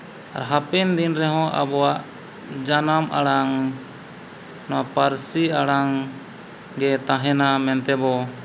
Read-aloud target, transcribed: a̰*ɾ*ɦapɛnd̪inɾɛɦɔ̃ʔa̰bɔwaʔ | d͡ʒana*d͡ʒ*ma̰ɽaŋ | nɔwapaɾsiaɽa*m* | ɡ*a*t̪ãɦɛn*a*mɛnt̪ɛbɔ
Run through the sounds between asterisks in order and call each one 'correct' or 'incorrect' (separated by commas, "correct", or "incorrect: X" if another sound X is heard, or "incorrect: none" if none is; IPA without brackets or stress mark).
correct, incorrect: none, incorrect: ŋ, incorrect: ɛ, correct